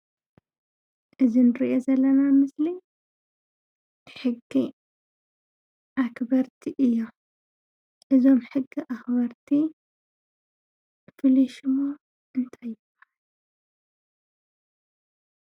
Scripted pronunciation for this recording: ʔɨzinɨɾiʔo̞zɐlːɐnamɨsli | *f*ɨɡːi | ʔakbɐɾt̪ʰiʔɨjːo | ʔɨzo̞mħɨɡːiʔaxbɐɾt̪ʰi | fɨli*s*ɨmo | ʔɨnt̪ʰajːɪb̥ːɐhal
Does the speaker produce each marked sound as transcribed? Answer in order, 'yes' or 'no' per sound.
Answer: no, no

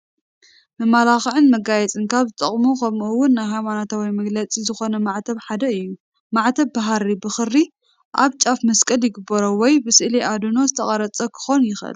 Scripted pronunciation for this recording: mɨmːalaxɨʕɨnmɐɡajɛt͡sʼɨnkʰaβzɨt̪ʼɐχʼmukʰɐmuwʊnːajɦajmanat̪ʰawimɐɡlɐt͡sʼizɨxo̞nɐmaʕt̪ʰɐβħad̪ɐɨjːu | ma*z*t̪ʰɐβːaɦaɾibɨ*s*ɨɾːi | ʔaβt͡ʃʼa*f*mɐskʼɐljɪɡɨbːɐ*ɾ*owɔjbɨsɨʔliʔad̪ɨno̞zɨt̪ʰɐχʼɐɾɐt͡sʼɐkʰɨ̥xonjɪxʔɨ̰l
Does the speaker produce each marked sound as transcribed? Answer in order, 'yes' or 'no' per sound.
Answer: no, no, yes, yes

